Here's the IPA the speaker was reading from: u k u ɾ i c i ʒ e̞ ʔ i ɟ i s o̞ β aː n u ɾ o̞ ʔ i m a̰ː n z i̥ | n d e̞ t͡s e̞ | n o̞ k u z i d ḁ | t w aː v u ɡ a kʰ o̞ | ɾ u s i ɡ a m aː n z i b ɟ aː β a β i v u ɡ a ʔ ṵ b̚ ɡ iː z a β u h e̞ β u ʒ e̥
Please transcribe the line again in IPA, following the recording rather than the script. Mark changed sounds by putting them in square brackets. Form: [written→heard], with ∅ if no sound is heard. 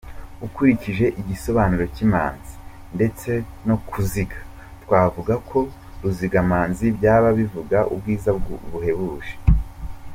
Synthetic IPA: u k u ɾ i c i ʒ e̞ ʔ i ɟ i s o̞ β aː n u ɾ o̞ [ʔ→c] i m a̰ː n z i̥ | n d e̞ t͡s e̞ | n o̞ k u z i [d→ɡ] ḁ | t w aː v u ɡ a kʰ o̞ | ɾ u [s→z] i ɡ a m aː n z i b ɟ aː β a β i v u ɡ a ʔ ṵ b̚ ɡ iː z a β u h e̞ β u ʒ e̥